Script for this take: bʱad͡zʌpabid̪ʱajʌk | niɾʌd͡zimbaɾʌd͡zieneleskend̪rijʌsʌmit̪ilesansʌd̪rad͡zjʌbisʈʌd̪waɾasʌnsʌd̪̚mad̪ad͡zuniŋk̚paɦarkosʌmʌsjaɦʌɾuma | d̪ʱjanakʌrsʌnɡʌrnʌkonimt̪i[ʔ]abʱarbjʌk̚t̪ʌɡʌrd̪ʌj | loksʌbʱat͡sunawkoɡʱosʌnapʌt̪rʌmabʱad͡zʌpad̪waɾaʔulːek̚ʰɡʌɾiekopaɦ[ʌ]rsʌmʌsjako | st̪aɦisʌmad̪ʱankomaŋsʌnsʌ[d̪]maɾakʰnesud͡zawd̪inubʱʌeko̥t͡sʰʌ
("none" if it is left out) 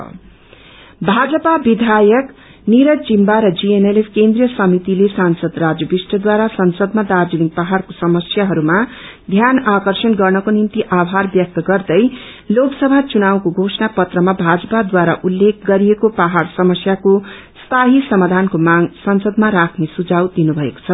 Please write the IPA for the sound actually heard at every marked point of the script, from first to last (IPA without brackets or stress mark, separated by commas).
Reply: ʔ, a, d̪